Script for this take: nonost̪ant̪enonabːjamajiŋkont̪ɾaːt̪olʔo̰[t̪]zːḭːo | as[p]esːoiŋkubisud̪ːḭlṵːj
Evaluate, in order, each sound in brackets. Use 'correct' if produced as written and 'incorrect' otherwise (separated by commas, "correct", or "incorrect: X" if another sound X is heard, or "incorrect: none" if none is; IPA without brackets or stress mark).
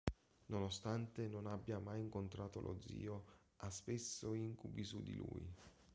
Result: incorrect: d̪, correct